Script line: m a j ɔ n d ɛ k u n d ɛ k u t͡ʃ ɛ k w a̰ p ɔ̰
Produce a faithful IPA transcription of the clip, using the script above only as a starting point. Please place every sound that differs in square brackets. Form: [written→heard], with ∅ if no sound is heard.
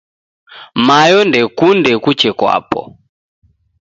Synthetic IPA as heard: m a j ɔ n d ɛ k u n d ɛ k u t͡ʃ ɛ k w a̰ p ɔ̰